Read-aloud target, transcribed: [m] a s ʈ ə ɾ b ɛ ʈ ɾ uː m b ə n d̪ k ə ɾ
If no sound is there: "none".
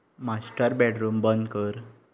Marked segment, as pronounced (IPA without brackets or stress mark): m